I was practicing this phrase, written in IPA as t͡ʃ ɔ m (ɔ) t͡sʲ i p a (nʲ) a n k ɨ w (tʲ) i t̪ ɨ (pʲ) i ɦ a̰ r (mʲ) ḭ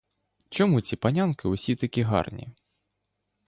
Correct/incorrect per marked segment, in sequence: incorrect: u, correct, incorrect: sʲ, incorrect: kʲ, incorrect: nʲ

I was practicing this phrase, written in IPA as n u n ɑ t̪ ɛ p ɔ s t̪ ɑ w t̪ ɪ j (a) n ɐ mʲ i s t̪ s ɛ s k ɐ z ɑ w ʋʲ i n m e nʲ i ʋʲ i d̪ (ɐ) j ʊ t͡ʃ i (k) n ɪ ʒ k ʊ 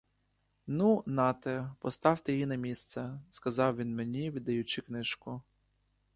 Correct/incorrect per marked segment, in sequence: incorrect: i, correct, correct

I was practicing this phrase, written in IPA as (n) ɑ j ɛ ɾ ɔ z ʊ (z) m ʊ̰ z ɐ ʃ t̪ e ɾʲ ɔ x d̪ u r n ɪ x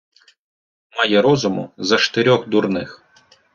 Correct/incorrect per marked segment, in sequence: incorrect: m, incorrect: none

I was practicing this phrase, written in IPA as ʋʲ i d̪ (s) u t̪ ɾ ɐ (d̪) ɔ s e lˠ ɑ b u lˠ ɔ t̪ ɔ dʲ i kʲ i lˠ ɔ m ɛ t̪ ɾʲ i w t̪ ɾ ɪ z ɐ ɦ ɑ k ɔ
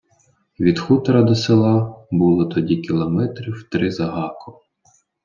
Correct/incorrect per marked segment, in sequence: incorrect: x, correct

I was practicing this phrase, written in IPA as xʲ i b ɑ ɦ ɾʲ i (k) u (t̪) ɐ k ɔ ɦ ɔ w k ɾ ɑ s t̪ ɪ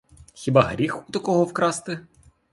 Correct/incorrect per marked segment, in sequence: incorrect: x, correct

